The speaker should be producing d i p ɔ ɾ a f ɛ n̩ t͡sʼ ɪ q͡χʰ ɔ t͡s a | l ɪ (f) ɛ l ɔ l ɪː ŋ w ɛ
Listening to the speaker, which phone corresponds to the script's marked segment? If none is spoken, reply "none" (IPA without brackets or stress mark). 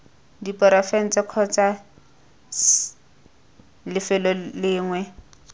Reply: f